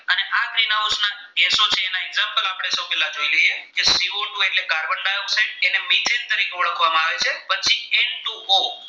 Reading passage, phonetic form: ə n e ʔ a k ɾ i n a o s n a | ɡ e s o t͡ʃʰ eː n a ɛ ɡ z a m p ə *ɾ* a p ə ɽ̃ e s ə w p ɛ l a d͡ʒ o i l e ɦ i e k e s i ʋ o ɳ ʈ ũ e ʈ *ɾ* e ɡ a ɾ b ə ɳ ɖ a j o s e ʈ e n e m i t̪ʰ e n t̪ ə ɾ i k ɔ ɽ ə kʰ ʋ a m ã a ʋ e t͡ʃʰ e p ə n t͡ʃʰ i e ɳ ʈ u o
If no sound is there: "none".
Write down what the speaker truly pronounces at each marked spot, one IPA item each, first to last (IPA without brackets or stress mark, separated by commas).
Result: l, l